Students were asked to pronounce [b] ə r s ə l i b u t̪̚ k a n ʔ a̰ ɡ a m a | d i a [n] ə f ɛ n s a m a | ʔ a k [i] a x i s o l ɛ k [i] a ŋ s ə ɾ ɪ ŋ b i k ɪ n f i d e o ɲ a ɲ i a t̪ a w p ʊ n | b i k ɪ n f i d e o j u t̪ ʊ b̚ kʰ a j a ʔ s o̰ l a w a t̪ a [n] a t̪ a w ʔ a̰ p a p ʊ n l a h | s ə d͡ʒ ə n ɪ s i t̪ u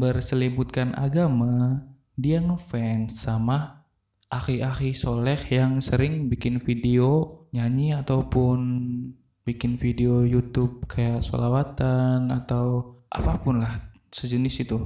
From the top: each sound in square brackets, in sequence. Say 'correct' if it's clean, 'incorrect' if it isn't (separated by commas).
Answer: correct, incorrect, correct, incorrect, correct